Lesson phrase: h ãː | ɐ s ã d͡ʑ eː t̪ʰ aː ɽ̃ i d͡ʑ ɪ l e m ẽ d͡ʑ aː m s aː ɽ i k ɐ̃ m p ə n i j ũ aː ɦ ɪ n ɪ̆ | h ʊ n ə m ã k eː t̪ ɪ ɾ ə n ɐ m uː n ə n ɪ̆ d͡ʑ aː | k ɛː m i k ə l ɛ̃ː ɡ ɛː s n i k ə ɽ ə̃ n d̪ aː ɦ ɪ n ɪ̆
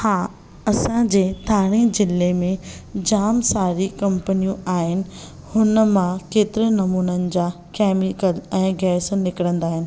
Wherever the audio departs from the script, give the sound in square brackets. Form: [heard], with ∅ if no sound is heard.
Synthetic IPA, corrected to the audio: h [aː] | ɐ s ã d͡ʑ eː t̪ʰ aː ɽ̃ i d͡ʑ ɪ l e m ẽ d͡ʑ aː m s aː [ɾ] i k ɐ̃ m p ə n i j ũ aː ɦ ɪ n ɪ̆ | h ʊ n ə m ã k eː t̪ ɪ ɾ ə n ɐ m uː n ə n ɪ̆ d͡ʑ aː | k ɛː m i k ə l ɛ̃ː ɡ ɛː s n [ɪ] k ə ɽ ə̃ n d̪ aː ɦ ɪ n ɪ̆